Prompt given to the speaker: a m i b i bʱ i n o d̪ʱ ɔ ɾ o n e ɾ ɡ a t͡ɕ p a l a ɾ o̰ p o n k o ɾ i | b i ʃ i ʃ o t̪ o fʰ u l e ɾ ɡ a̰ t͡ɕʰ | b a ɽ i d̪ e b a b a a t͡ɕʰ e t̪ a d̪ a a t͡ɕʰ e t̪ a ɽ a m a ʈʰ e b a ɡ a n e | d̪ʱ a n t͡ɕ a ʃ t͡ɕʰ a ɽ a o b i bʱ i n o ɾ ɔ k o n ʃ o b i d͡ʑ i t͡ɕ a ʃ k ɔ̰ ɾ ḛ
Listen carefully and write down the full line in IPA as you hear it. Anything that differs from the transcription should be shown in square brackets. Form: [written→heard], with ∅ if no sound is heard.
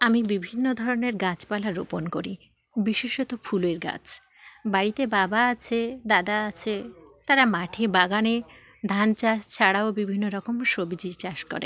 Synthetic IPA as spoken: a m i b i bʱ i [n→nː] o d̪ʱ ɔ ɾ o n e ɾ ɡ a t͡ɕ p a l a ɾ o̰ p o n k o ɾ i | b i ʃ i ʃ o t̪ o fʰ u l e ɾ ɡ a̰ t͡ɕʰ | b a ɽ i [d̪→t̪] e b a b a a t͡ɕʰ e [t̪→d̪] a d̪ a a t͡ɕʰ e t̪ a [ɽ→ɾ] a m a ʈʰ e b a ɡ a n e | d̪ʱ a n t͡ɕ a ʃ t͡ɕʰ a ɽ a o b i bʱ i [n→nː] o ɾ ɔ k o [n→m] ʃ o b i d͡ʑ i t͡ɕ a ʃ k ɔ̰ ɾ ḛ